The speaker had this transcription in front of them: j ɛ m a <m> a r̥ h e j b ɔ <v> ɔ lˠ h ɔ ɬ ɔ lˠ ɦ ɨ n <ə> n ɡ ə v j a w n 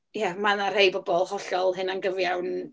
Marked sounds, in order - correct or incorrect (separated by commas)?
incorrect, incorrect, incorrect